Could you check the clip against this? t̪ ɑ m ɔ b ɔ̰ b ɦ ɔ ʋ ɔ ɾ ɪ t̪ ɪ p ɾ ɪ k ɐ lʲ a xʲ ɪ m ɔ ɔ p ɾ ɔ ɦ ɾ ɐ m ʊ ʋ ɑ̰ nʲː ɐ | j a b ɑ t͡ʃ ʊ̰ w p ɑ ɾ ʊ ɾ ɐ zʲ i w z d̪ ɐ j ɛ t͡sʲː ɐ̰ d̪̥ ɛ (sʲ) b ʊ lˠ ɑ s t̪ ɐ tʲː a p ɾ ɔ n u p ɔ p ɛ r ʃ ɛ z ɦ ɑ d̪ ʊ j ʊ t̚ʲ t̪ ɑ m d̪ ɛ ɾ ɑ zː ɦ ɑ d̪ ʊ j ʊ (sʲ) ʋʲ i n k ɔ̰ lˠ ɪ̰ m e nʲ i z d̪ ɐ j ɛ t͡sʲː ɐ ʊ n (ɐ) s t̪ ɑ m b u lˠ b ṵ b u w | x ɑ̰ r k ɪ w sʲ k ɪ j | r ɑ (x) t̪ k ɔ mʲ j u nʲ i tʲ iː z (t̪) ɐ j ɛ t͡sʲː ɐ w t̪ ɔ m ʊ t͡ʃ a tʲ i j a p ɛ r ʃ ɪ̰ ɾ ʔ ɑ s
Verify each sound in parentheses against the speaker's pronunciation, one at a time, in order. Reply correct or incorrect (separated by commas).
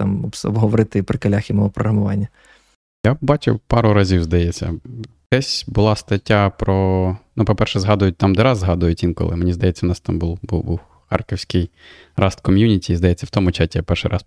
correct, incorrect, incorrect, incorrect, incorrect